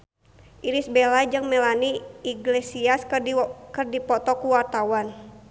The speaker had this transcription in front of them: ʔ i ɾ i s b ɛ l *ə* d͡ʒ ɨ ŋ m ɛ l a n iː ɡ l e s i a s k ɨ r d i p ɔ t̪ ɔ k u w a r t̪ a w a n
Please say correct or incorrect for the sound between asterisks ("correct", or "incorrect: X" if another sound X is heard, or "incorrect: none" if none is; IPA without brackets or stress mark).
incorrect: a